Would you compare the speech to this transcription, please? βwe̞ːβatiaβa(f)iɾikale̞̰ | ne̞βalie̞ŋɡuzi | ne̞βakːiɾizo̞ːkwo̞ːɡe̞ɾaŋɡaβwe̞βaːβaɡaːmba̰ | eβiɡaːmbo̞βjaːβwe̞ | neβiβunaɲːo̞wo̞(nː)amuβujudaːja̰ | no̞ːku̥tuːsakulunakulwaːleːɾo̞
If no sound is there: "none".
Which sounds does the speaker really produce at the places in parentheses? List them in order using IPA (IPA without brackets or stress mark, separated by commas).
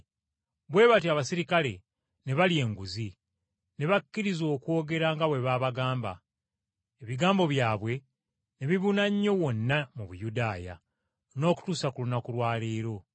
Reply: s, nː